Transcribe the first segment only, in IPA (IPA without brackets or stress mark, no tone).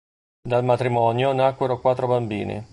d̪